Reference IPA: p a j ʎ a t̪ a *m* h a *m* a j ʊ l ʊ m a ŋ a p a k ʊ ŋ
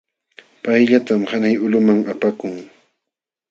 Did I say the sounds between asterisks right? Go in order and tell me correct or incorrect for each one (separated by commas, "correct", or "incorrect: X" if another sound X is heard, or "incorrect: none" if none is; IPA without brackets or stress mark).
correct, incorrect: n